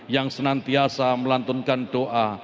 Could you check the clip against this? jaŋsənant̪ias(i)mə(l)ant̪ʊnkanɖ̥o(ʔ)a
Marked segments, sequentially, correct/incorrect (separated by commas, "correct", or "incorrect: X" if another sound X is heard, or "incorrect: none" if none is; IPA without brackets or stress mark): incorrect: a, correct, correct